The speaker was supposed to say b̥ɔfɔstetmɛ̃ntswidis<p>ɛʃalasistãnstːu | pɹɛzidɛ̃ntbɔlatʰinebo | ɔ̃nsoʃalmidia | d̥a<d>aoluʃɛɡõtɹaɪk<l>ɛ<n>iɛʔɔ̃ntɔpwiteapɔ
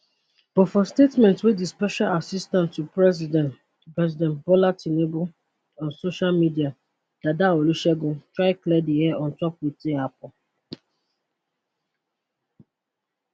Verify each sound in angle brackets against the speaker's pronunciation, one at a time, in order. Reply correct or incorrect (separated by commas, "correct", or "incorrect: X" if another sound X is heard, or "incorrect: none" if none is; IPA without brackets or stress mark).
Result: correct, correct, correct, incorrect: d